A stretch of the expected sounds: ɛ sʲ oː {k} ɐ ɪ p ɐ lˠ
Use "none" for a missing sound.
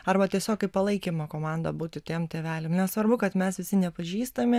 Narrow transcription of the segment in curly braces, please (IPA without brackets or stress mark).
k